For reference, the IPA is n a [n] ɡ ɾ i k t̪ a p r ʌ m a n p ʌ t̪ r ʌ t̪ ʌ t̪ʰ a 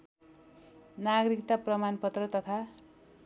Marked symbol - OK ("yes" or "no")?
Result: no